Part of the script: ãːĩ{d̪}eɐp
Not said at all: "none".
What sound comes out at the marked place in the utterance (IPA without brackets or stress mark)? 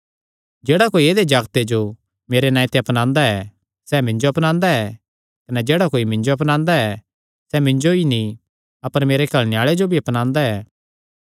t̪